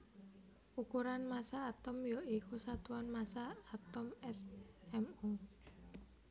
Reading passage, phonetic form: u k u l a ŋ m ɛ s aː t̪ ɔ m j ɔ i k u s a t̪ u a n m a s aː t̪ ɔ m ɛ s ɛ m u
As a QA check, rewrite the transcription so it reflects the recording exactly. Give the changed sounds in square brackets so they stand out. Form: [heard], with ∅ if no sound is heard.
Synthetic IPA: u k u [ɾ] a [n] m [a] s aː t̪ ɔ m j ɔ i k u s a t̪ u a n m a s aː t̪ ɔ m ɛ s ɛ m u